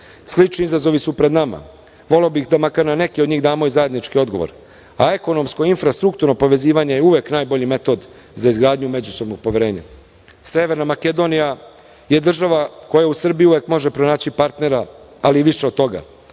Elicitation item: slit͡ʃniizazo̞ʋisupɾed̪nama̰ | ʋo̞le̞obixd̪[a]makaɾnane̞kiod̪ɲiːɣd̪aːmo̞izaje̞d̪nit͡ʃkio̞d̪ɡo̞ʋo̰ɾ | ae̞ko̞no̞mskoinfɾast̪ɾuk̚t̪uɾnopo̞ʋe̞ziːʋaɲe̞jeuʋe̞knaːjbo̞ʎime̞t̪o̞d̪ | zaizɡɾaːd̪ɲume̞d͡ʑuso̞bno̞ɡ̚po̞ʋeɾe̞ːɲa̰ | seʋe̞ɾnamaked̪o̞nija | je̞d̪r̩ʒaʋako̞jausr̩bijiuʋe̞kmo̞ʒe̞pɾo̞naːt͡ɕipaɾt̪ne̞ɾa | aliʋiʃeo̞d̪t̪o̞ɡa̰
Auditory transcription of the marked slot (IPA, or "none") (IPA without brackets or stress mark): a